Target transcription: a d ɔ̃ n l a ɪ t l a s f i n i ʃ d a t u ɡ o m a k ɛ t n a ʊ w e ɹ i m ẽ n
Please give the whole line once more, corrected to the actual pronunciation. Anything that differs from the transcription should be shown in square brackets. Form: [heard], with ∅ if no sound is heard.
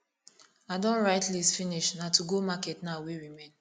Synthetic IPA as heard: a d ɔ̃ n [ɹ] a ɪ t l [i] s f i n i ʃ [n] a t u ɡ o m a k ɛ t n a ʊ w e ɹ i m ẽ n